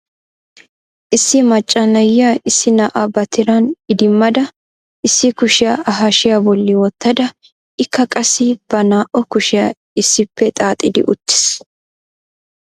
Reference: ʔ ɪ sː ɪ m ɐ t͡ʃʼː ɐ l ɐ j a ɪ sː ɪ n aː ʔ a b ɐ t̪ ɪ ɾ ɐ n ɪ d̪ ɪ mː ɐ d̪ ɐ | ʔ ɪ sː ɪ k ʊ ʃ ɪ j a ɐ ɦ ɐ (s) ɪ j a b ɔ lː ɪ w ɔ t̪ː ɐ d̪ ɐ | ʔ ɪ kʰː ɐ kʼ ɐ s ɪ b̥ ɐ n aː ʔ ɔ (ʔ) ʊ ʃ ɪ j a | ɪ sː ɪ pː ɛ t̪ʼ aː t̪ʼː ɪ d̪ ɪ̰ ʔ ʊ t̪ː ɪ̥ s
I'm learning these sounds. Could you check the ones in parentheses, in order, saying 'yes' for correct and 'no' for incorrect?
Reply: no, no

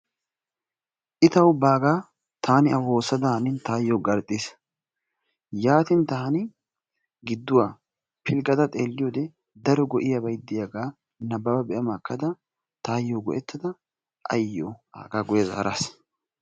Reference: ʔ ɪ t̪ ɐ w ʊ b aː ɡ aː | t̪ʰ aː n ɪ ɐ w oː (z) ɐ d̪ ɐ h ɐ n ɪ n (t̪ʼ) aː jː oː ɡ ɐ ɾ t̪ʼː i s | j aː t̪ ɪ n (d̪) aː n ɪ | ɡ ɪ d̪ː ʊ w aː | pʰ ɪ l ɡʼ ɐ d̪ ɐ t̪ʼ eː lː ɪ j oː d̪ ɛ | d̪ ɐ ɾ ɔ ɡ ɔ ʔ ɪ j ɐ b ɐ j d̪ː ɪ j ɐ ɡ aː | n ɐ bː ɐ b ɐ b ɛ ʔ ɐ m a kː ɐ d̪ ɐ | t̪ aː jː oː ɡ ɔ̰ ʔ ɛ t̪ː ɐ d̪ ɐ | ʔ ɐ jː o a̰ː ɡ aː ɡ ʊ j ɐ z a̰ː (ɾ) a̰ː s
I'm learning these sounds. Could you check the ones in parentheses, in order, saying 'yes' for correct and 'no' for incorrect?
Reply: no, no, no, yes

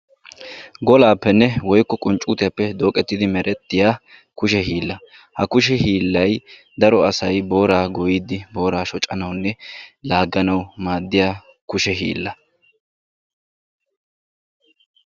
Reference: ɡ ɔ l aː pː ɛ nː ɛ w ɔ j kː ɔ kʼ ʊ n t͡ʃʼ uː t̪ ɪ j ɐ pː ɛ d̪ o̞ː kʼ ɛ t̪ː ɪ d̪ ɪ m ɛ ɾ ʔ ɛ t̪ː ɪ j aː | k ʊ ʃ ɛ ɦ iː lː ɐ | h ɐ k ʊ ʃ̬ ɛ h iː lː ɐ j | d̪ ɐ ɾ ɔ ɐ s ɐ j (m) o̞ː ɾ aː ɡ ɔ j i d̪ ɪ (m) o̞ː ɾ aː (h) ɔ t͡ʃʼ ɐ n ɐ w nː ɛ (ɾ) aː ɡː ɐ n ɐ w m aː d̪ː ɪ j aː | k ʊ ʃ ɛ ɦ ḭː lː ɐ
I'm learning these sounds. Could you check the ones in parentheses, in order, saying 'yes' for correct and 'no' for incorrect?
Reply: no, no, no, no

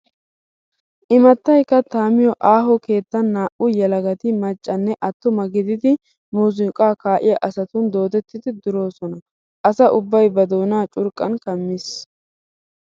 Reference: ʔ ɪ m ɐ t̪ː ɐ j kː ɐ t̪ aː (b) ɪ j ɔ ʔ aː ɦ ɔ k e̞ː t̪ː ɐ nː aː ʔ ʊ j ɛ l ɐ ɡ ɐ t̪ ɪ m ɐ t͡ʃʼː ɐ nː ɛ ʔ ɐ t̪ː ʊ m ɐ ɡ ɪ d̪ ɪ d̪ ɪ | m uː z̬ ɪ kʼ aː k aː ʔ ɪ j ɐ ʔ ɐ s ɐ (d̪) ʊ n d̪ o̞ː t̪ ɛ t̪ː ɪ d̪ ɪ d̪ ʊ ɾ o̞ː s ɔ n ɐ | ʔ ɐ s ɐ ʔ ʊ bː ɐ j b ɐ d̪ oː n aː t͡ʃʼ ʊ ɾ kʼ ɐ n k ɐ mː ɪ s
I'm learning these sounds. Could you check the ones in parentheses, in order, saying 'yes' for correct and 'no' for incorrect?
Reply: no, no

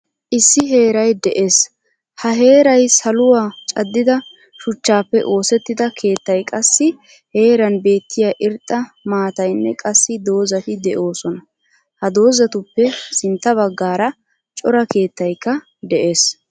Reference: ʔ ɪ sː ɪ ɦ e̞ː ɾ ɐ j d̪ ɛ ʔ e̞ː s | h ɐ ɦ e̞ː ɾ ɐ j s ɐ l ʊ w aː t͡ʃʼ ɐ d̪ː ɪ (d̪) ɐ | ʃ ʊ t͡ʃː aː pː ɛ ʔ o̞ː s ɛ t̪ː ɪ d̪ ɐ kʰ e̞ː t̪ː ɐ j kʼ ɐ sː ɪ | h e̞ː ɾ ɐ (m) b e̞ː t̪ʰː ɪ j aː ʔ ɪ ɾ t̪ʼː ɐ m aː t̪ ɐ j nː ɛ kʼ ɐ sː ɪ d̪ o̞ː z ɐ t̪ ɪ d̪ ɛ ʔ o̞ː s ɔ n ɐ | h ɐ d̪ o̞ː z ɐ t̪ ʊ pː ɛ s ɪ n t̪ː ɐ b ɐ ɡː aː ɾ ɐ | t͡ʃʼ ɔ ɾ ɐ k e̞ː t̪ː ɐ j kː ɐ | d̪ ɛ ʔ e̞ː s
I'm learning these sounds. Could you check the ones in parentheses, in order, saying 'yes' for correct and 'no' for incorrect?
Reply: yes, no

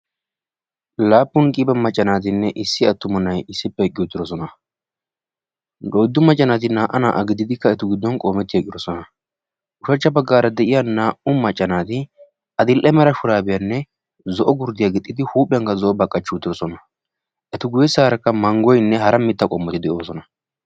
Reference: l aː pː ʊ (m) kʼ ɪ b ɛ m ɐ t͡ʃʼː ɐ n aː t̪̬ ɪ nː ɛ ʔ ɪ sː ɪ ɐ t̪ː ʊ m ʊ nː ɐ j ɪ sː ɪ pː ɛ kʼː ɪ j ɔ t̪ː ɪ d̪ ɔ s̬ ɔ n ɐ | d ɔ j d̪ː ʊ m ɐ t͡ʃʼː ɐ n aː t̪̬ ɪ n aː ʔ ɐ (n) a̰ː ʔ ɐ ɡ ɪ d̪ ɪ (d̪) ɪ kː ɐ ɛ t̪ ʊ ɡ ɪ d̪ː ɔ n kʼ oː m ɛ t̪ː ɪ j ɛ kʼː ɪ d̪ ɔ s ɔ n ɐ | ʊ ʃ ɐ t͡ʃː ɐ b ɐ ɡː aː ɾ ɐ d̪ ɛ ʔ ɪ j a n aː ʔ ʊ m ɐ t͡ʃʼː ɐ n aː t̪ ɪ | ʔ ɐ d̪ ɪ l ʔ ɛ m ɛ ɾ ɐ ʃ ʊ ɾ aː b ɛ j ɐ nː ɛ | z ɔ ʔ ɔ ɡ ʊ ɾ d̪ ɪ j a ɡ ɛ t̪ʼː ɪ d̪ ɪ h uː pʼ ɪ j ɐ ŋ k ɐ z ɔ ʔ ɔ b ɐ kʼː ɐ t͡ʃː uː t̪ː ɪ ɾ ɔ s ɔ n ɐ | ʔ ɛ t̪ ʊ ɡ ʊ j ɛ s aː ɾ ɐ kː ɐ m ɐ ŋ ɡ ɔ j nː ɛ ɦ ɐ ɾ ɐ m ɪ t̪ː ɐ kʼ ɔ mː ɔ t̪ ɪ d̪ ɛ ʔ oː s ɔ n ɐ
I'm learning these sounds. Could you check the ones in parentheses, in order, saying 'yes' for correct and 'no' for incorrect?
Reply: no, yes, yes

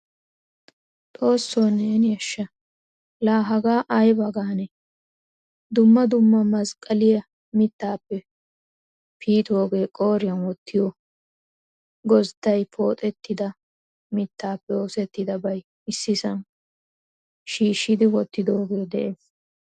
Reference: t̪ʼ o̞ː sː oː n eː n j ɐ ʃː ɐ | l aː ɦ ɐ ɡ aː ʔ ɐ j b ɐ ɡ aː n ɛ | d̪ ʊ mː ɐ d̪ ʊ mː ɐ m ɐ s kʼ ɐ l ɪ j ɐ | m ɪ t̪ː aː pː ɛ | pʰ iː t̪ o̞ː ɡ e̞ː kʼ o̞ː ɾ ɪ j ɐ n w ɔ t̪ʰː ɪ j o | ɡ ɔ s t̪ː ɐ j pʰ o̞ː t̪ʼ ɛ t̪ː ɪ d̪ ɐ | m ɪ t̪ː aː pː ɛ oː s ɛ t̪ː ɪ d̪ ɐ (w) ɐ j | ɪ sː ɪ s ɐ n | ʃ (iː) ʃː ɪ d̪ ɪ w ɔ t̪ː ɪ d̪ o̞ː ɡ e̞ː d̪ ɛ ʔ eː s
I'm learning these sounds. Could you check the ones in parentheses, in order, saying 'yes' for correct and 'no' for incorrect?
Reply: no, yes

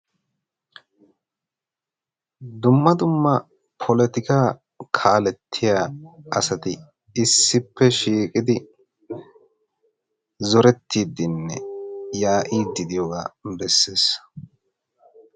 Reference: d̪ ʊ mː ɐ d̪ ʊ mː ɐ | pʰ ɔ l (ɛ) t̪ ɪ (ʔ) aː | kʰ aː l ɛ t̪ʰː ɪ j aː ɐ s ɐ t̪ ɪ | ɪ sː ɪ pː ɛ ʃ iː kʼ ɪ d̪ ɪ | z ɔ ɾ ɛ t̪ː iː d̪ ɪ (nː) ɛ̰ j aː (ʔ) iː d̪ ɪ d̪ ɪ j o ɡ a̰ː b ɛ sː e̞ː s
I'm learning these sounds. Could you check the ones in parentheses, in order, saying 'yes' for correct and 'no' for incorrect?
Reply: yes, no, yes, yes

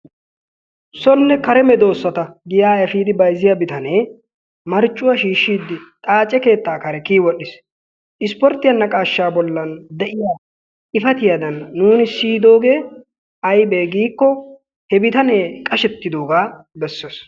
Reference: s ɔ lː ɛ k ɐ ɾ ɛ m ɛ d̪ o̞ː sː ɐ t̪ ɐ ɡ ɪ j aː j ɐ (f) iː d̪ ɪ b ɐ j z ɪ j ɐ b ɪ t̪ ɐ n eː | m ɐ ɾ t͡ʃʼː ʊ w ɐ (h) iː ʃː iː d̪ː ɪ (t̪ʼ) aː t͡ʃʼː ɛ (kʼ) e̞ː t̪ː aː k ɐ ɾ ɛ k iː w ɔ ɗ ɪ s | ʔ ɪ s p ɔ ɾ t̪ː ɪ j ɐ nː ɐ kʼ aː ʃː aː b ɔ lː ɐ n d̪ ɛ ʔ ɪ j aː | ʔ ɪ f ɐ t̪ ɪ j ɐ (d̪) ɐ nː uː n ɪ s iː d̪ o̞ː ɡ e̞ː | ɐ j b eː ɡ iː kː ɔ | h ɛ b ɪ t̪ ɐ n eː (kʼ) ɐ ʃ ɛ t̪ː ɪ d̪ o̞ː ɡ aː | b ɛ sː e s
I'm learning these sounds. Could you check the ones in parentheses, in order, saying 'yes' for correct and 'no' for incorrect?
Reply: yes, no, yes, no, yes, yes

